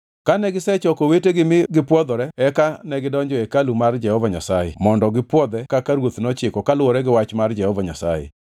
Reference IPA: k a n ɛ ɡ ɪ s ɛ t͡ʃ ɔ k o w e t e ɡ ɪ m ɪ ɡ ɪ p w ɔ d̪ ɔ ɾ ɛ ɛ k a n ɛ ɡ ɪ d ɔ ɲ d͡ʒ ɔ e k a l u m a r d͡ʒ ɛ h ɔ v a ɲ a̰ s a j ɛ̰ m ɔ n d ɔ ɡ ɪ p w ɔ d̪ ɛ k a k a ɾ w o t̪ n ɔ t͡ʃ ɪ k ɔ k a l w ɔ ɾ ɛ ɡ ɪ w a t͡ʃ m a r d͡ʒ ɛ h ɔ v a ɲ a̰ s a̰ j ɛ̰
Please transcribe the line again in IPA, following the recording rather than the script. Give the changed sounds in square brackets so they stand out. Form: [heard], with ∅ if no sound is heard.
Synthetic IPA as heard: k a n ɛ ɡ ɪ s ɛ t͡ʃ ɔ k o w e t e ɡ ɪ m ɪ ɡ ɪ p w ɔ d̪ ɔ ɾ ɛ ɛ k a n ɛ ɡ ɪ d ɔ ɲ d͡ʒ ɔ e k a l u m a r d͡ʒ ɛ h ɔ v a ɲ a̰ s a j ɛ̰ m ɔ n d ɔ ɡ ɪ p w ɔ d̪ ɛ k a k a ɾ w o t̪ n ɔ t͡ʃ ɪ k ɔ k a l w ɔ ɾ ɛ ɡ ɪ w a t͡ʃ m a r d͡ʒ ɛ h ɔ v a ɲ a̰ s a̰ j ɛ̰